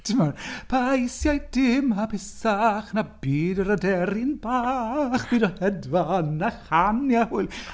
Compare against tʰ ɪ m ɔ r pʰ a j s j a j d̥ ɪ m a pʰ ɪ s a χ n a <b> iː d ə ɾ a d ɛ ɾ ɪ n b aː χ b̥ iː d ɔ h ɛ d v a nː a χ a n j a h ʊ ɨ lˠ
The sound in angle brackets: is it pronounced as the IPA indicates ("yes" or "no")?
yes